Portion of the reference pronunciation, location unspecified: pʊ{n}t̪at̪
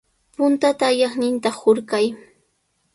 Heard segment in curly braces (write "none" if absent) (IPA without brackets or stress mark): n